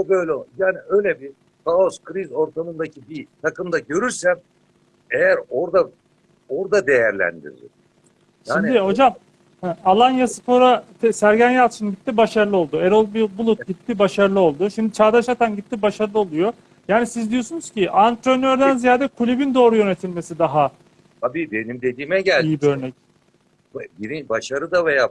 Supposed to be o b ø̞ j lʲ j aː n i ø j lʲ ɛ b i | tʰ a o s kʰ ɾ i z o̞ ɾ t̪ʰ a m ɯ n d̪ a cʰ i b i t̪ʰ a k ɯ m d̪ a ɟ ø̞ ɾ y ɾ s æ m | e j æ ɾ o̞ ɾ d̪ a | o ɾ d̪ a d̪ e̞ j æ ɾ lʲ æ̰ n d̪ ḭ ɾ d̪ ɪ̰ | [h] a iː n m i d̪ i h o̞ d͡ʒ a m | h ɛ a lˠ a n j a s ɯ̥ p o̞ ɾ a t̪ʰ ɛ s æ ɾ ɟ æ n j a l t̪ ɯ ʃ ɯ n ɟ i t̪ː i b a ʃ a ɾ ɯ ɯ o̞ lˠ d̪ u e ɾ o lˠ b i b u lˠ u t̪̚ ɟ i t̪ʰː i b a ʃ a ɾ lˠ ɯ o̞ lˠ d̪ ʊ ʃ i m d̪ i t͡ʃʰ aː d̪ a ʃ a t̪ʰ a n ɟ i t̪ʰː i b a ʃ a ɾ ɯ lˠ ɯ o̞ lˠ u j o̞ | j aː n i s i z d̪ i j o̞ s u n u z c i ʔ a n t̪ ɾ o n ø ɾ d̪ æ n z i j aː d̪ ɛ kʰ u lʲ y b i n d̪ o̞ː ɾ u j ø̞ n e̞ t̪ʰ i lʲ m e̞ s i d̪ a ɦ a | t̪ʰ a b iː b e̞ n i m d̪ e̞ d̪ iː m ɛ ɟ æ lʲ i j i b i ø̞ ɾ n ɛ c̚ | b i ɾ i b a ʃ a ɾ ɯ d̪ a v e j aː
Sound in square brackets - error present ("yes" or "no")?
yes